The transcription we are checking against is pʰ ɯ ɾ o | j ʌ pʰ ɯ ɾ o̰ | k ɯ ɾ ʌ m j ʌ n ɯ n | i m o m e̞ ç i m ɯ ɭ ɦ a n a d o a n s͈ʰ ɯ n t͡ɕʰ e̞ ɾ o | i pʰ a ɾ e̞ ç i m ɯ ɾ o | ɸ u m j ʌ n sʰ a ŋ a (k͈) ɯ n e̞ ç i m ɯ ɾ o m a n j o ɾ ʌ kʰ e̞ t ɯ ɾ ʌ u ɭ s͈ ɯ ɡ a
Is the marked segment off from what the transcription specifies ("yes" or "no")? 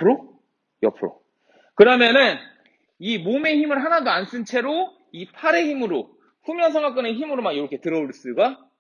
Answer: no